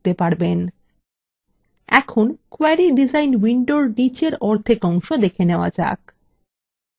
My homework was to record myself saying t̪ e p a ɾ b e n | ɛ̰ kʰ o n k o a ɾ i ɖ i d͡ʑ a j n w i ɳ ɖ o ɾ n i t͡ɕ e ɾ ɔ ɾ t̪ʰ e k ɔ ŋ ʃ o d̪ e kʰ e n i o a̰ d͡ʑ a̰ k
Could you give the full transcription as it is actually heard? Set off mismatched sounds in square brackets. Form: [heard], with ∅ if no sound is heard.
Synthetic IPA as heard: t̪ e p a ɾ b e n | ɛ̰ kʰ o n k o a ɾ i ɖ i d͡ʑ a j n w i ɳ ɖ o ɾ n i t͡ɕ e ɾ ɔ ɾ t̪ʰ e k ɔ ŋ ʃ o d̪ e kʰ e n [e] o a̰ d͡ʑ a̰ k